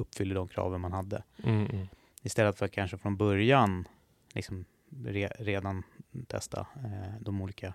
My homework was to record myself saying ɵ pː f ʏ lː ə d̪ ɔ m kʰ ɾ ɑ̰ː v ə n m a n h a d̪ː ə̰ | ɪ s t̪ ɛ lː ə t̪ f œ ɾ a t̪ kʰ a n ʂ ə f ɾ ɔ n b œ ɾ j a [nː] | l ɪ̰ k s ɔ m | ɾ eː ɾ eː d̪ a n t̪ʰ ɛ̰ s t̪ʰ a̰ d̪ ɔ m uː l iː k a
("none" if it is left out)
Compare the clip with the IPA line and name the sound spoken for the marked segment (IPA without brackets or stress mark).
n